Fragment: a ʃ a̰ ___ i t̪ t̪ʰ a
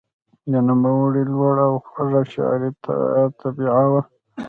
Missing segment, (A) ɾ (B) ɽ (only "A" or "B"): A